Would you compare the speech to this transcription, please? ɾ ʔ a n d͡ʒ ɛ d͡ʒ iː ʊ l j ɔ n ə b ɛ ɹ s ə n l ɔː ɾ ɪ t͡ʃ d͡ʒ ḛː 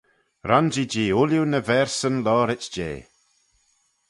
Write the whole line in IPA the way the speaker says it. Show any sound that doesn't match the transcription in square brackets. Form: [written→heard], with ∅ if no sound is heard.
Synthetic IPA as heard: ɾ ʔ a n d͡ʒ [ɛ→i] d͡ʒ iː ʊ l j [ɔ→u] n ə [b→v] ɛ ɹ s ə n l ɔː ɾ ɪ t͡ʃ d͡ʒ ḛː

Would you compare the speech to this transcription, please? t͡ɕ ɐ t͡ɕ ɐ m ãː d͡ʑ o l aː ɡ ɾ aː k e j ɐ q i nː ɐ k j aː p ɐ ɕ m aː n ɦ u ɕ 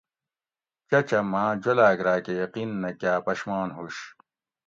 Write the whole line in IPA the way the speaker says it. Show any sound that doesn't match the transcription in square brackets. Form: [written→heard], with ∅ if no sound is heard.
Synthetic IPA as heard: t͡ɕ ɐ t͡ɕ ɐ m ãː d͡ʑ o l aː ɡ ɾ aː k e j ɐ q i nː ɐ k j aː p ɐ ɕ m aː n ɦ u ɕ

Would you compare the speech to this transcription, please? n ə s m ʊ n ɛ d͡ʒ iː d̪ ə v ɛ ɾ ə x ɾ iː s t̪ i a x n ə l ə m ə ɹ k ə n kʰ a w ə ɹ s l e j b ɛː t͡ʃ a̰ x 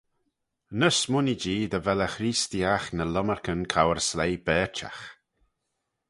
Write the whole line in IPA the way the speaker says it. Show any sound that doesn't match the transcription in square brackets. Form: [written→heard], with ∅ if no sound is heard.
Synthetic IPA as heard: n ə s m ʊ n [ɛ→i] d͡ʒ iː d̪ ə v ɛ [ɾ→l] ə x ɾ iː s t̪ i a x n ə l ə m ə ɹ k ə n kʰ a w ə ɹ s l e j b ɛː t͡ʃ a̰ x

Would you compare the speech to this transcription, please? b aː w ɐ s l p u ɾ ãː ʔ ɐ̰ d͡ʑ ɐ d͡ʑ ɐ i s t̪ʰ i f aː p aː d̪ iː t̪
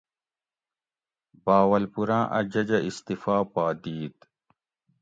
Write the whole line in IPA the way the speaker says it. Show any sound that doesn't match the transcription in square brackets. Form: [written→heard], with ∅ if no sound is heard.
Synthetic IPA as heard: b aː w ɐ [s→∅] l p u ɾ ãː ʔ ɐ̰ d͡ʑ ɐ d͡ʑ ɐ i s [t̪ʰ→t̪] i f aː p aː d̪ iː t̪

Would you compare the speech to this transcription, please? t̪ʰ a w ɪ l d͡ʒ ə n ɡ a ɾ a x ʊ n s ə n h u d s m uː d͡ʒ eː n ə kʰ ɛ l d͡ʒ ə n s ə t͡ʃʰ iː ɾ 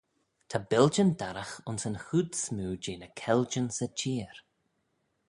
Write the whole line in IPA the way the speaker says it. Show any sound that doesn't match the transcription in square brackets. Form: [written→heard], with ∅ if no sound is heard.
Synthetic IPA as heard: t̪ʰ a [w→b] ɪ l d͡ʒ ə n [ɡ→d] a ɾ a x ʊ n s ə n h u d s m uː d͡ʒ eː n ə kʰ ɛ l d͡ʒ ə n s ə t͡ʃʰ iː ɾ

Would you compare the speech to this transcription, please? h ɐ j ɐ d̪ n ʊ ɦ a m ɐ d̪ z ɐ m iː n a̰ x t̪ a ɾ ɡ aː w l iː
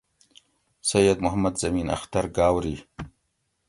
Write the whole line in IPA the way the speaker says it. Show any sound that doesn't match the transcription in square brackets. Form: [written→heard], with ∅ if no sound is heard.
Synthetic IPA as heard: [h→s] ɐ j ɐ d̪ [n→m] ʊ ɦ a m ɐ d̪ z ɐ m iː n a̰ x t̪ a ɾ ɡ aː w [l→ɾ] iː

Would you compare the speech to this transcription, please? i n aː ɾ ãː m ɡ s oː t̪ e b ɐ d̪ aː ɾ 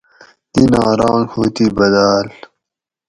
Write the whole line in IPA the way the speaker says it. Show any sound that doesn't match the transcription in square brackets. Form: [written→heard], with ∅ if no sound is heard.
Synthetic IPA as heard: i n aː ɾ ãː [m→ŋ] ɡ [s→h] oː t̪ [e→i] b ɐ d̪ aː [ɾ→l]

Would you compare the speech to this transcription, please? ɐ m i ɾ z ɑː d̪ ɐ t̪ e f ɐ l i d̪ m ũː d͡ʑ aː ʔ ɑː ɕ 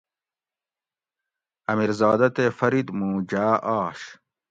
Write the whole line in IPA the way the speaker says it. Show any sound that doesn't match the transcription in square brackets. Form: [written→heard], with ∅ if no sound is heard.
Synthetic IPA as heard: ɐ m i ɾ z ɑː d̪ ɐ t̪ e f ɐ [l→ɾ] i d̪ m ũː d͡ʑ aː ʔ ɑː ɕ

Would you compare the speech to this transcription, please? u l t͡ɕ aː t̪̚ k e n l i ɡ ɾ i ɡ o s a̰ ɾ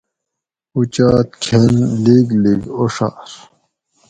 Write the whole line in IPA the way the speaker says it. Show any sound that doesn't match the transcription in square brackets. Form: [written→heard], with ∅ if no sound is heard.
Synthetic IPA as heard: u [l→∅] t͡ɕ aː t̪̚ [k→kʰ] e n l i ɡ [ɾ→l] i ɡ o [s→ʂ] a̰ ɾ

